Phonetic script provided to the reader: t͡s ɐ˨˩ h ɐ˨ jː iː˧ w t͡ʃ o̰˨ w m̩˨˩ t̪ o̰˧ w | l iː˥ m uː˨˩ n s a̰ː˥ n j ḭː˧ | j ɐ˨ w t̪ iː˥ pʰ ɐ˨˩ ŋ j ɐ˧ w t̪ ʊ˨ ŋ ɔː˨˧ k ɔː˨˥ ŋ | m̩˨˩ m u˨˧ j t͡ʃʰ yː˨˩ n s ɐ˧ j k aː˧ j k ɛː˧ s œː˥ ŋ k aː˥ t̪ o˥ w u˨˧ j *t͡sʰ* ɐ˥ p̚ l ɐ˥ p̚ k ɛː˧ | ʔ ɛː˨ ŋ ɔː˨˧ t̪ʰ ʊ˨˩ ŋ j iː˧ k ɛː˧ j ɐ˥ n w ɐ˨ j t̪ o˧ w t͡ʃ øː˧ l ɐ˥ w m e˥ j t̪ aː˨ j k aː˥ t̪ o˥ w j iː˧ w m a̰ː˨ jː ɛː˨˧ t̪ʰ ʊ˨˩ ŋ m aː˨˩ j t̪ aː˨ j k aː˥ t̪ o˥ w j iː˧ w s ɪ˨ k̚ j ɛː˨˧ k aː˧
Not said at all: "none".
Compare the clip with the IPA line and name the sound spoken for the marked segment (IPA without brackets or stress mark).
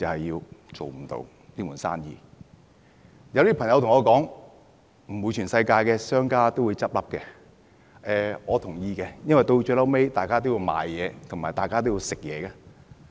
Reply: t͡s